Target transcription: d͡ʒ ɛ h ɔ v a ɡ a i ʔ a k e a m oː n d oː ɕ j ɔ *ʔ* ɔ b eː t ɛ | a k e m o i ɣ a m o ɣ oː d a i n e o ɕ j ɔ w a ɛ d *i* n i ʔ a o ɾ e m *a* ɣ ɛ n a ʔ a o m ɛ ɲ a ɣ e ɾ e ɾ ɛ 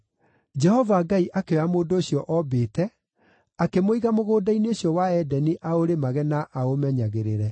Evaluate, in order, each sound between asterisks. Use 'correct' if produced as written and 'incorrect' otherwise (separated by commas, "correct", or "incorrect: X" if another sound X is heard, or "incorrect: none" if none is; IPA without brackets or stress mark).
correct, incorrect: ɛ, correct